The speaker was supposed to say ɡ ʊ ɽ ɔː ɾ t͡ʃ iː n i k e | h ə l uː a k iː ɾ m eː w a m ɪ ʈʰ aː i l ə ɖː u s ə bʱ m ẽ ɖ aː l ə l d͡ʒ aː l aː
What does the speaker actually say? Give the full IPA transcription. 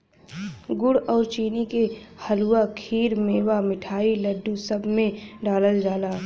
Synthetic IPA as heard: ɡ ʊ ɽ ɔː ɾ t͡ʃ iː n i k e | h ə l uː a kʰ iː ɾ m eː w a m ɪ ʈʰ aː i l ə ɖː u s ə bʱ m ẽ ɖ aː l ə l d͡ʒ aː l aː

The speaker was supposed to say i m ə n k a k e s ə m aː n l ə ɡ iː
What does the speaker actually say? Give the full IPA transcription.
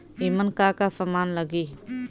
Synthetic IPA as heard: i m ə n k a k a s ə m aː n l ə ɡ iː

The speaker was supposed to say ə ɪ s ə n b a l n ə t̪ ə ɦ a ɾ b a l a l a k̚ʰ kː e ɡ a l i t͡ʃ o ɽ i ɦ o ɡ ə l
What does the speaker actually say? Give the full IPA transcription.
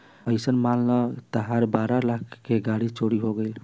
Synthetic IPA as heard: ə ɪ s ə n m a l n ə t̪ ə ɦ a ɾ b a ɾ a l a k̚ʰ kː e ɡ a ɽ i t͡ʃ o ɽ i ɦ o ɡ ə l

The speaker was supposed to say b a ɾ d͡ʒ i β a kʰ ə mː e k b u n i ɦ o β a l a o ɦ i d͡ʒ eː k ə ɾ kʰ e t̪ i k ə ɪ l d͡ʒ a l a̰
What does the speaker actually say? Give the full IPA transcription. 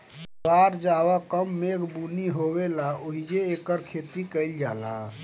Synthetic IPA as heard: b a ɾ d͡ʒ a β a k ə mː e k b u n i ɦ o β e l a o ɦ i d͡ʒ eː k ə ɾ kʰ e t̪ i k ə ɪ l d͡ʒ a l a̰

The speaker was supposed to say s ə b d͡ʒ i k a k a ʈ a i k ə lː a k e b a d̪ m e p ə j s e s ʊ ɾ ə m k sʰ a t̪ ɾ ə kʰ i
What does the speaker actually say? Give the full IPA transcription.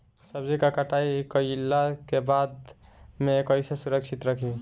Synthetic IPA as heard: s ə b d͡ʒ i k a k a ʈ a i k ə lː a k e b a d̪ m e k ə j s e s u ɾ ə k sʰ i t̪ ɾ ə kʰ i

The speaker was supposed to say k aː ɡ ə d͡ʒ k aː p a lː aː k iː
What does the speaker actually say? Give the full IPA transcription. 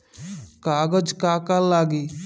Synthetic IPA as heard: k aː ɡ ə d͡ʒ k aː k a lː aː ɡ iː

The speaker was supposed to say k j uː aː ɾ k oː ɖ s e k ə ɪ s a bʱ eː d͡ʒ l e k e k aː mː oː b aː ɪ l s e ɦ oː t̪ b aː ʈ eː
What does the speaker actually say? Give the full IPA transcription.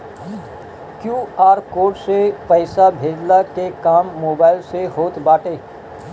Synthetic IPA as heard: k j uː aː ɾ k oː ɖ s e p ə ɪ s a bʱ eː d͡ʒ l a k e k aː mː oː b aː ɪ l s e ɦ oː t̪ b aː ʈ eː

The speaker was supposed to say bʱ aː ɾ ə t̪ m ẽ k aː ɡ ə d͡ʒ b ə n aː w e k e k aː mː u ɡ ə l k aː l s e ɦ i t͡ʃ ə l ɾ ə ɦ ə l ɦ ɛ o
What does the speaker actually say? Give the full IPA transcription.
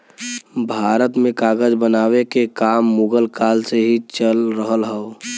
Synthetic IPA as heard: bʱ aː ɾ ə t̪ m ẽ k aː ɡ ə d͡ʒ b ə n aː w e k e k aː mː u ɡ ə l k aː l s e ɦ i t͡ʃ ə l ɾ ə ɦ ə l ɦ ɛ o

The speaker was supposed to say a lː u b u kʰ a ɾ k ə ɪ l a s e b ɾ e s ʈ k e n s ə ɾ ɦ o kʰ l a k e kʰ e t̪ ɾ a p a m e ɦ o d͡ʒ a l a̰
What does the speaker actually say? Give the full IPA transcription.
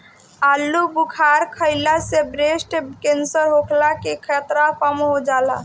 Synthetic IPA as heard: a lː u b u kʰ a ɾ kʰ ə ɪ l a s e b ɾ e s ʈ k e n s ə ɾ ɦ o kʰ l a k e kʰ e t̪ ɾ a p a m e ɦ o d͡ʒ a l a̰

